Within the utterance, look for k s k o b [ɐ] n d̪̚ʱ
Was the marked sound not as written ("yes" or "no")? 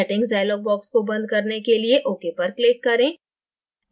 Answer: yes